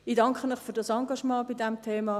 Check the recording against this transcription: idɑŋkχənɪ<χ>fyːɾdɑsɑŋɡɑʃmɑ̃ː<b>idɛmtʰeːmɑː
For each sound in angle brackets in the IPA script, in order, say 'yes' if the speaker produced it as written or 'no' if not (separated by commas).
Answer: yes, yes